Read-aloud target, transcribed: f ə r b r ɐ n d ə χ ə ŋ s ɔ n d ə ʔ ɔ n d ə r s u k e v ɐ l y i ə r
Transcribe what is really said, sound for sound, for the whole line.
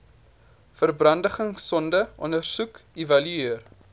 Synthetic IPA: f ə r b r ɐ n d ə χ ə ŋ s ɔ n d ə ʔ ɔ n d ə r s u k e v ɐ l y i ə r